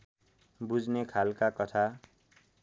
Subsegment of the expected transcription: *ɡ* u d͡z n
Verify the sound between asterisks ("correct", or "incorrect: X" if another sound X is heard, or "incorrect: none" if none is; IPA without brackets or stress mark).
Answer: incorrect: b